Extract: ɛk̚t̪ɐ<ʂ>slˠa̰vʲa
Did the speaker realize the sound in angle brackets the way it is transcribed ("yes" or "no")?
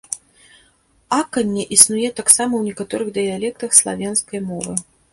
no